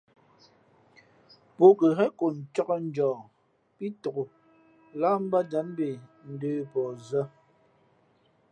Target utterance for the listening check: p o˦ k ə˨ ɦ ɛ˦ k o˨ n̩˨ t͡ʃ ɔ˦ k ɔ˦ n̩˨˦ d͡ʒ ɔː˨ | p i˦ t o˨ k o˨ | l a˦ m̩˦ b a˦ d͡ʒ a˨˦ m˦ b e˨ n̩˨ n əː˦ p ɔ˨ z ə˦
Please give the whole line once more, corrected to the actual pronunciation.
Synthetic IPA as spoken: p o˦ k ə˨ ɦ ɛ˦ k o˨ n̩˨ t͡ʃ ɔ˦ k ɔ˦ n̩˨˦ d͡ʒ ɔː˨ | p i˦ t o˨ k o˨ | l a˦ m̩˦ b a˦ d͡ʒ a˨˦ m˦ b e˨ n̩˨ d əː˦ p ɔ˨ z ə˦